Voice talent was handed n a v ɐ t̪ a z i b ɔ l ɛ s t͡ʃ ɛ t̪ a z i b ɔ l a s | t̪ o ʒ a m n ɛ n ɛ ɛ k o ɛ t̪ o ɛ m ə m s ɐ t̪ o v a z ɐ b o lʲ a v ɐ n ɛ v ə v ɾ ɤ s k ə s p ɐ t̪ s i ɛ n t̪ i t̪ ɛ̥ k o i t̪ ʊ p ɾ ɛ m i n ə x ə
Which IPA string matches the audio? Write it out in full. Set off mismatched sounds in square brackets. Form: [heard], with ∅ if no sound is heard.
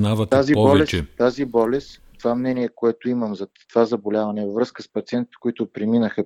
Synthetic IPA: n a v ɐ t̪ a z i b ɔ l ɛ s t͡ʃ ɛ t̪ a z i b ɔ l [ɛ] s | t̪ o [v] a m n ɛ n [i] ɛ k o ɛ t̪ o [i] m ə m [z] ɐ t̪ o v a z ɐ b o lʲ a v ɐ n ɛ v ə v ɾ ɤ s k ə s p ɐ t̪ s i ɛ n t̪ i t̪ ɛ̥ k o i t̪ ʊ p ɾ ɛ m i n ə x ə